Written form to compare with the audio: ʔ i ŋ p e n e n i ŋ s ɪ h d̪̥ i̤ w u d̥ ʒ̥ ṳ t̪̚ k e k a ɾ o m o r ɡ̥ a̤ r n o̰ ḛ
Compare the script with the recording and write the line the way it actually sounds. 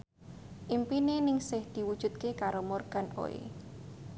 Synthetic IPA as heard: ʔ i m p i n e n ɪ ŋ s ɪ h d̪̥ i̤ w u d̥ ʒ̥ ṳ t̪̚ k e k a ɾ o m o r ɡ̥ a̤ n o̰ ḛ